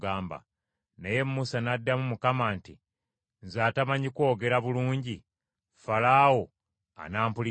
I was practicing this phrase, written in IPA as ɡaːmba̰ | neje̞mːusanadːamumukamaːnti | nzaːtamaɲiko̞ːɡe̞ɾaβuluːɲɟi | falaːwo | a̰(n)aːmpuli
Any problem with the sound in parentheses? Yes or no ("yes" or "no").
no